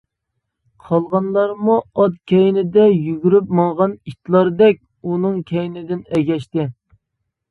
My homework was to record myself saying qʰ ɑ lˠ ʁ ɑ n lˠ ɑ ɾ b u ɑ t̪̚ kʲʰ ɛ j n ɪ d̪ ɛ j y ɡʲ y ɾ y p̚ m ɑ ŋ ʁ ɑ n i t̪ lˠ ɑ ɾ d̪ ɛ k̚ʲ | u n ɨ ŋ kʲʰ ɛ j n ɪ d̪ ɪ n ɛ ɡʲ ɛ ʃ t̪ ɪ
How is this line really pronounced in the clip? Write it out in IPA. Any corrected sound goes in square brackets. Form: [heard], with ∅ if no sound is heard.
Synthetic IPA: qʰ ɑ lˠ ʁ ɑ n lˠ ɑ ɾ [m] u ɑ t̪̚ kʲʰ ɛ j n ɪ d̪ ɛ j y ɡʲ y ɾ y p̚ m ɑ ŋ ʁ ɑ n i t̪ lˠ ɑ ɾ d̪ ɛ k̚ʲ | u n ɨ ŋ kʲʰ ɛ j n ɪ d̪ ɪ n ɛ ɡʲ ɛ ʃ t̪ ɪ